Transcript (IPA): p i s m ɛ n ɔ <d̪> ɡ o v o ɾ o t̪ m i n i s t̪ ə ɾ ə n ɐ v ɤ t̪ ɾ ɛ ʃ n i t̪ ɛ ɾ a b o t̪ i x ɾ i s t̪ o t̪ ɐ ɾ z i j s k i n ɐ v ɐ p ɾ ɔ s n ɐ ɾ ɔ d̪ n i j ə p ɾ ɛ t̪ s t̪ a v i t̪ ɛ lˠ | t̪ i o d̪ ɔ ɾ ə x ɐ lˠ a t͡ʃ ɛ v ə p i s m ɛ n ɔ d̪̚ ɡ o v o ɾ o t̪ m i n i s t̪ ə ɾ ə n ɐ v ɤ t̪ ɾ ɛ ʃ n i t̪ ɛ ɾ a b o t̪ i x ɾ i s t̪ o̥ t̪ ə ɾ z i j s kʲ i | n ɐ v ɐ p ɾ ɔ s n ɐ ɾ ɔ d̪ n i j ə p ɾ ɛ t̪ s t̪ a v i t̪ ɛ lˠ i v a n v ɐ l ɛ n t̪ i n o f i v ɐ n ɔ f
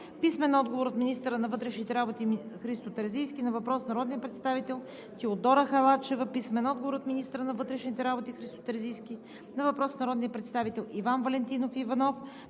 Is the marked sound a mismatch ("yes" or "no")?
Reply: no